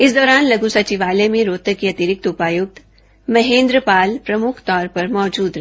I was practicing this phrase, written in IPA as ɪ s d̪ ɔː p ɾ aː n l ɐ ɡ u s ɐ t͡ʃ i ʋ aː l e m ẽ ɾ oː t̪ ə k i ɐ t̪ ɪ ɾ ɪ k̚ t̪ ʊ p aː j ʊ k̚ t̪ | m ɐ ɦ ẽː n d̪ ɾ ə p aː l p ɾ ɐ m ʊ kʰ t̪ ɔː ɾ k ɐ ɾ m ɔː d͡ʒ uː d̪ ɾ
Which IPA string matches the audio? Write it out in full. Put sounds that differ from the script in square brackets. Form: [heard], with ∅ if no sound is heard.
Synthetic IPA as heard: ɪ s d̪ ɔː [∅] ɾ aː n l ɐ ɡ u s ɐ t͡ʃ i ʋ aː l e m ẽ ɾ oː t̪ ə k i ɐ t̪ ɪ ɾ ɪ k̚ t̪ ʊ p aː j ʊ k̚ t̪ | m ɐ ɦ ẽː n d̪ ɾ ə p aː l p ɾ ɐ m ʊ kʰ t̪ ɔː ɾ [p] ɐ ɾ m ɔː d͡ʒ uː d̪ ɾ